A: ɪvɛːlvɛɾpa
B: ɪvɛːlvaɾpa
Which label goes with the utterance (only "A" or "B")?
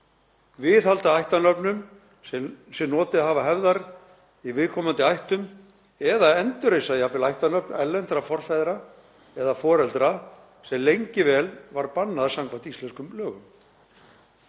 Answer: B